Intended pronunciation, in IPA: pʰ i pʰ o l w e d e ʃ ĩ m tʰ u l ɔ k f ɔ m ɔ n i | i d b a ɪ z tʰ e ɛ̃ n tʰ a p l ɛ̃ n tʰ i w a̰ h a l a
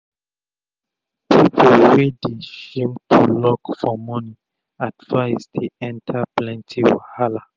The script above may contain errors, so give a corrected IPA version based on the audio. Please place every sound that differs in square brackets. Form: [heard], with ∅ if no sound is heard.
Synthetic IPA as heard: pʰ i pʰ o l w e d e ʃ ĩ m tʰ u l ɔ k f ɔ m ɔ n i | [a] d [v] a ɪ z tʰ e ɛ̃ n tʰ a p l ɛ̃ n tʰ i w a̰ h a l a